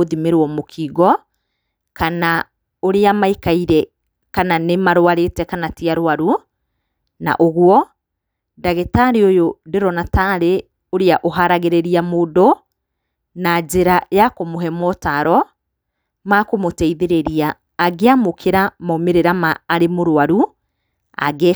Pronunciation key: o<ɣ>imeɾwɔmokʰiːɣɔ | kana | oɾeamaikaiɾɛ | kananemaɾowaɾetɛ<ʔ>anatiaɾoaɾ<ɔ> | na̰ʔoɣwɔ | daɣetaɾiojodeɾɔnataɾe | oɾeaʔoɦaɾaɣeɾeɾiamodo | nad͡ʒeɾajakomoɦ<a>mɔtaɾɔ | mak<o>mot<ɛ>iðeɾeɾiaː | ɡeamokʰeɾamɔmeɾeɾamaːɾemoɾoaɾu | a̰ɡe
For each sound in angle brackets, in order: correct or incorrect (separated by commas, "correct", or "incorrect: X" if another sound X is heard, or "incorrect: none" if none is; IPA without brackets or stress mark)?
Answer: incorrect: ð, incorrect: k, incorrect: u, incorrect: ɛ, correct, correct